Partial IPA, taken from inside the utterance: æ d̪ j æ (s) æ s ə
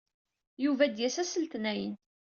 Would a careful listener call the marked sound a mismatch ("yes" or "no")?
no